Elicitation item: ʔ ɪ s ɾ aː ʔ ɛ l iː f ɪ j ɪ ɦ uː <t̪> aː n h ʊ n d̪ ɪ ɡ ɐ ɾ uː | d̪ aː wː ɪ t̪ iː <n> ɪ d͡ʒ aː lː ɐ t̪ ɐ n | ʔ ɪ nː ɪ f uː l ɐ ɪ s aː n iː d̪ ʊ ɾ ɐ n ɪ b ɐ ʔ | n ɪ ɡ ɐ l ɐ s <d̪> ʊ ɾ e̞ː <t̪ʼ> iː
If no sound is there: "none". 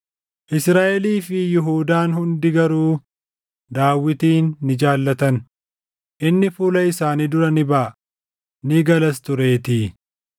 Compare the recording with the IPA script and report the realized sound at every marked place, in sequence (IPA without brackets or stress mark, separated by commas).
d̪, nː, t̪, t̪